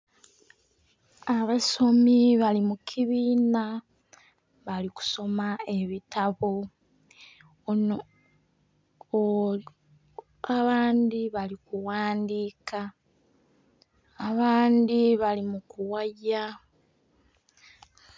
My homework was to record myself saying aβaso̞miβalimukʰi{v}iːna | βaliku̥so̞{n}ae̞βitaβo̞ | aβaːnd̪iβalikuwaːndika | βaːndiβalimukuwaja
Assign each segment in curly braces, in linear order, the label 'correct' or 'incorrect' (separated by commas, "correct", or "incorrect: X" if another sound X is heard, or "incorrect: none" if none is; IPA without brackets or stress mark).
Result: incorrect: β, incorrect: m